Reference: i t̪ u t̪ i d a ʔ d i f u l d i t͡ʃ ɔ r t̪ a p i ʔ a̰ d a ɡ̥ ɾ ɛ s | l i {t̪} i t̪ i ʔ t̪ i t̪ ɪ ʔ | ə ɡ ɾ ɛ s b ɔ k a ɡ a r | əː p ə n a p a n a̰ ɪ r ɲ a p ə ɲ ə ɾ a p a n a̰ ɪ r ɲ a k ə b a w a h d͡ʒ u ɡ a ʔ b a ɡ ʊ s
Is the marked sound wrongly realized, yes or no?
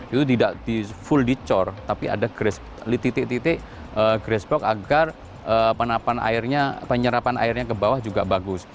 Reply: no